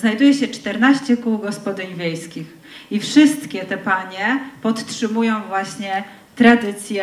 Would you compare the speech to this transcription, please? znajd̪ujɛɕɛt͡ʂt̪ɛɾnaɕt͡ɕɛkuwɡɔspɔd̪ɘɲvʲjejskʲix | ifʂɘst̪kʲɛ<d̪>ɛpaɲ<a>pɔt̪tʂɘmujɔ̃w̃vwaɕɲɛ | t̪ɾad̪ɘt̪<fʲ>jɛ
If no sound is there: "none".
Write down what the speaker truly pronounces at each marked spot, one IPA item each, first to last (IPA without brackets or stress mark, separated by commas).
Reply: t̪, ɛ, sʲ